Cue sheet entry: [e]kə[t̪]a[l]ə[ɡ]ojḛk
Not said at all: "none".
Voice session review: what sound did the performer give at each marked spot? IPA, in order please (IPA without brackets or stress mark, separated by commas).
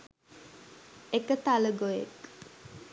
e, t̪, l, ɡ